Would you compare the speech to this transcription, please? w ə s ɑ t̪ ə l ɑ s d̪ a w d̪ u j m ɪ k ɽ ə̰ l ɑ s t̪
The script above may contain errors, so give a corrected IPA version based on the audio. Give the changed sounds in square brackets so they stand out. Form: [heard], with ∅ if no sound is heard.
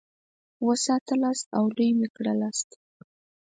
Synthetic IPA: w ə s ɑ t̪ ə l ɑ s [t̪] a w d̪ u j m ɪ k ɽ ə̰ l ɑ s t̪